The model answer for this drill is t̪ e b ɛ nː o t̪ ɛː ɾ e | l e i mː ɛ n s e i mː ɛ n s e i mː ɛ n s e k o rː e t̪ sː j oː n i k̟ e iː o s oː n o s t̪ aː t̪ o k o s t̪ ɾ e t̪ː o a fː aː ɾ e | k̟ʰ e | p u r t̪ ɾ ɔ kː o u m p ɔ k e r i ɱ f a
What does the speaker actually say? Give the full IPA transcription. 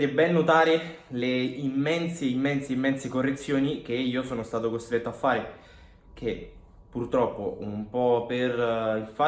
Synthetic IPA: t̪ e b ɛ nː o t̪ aː ɾ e | l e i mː ɛ n s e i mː ɛ n s e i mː ɛ n s e k o rː e t̪ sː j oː n i k̟ e iː o s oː n o s t̪ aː t̪ o k o s t̪ ɾ e t̪ː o a fː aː ɾ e | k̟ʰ e | p u r t̪ ɾ ɔ pː o u m p ɔ p e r i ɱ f a

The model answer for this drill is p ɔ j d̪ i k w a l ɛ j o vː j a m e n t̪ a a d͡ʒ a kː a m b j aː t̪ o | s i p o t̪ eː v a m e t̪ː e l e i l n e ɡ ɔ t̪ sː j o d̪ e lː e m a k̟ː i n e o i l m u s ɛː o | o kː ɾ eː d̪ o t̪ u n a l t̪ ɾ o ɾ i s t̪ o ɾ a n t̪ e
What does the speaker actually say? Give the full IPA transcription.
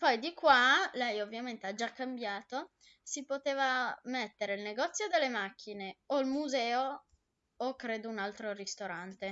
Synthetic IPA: p ɔ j d̪ i k w a l ɛ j o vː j a m e n t̪ e a d͡ʒ a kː a m b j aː t̪ o | s i p o t̪ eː v a m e t̪ː e ɾ e i l n e ɡ ɔ t̪ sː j o d̪ e lː e m a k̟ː i n e o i l m u z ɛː o | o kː ɾ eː d̪ o u n a l t̪ ɾ o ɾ i s t̪ o ɾ a n t̪ e

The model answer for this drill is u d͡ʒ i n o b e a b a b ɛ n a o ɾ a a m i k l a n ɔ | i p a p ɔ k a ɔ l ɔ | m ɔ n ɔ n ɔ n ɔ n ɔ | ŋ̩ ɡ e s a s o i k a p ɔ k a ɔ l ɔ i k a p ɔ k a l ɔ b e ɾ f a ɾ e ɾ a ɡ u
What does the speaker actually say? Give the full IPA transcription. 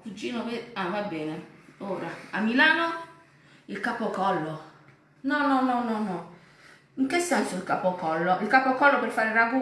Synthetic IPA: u d͡ʒ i n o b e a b a b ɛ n a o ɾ a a m i l a n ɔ | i k a p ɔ k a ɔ l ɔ | n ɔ n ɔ n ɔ n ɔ n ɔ | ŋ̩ k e s a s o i k a p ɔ k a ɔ l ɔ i k a p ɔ k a l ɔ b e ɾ f a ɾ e ɾ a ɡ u

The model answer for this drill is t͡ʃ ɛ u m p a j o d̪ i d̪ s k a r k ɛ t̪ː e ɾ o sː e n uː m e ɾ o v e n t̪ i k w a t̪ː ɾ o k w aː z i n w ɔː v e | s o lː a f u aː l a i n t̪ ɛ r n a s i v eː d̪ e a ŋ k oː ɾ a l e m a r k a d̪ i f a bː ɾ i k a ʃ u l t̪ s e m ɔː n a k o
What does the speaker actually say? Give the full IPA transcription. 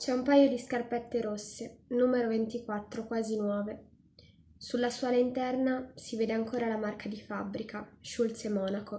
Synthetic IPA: t͡ʃ ɛ u m p a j o d̪ i s k a r p ɛ t̪ː e ɾ o sː e n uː m e ɾ o v e n t̪ i k w a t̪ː ɾ o k w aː z i n w ɔː v e | s u lː a s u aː l a i n t̪ ɛ r n a s i v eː d̪ e a ŋ k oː ɾ a l a m a r k a d̪ i f a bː ɾ i k a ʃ u l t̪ s e m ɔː n a k o

